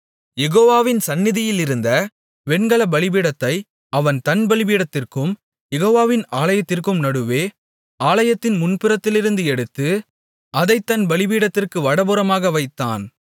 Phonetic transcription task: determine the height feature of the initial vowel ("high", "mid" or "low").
mid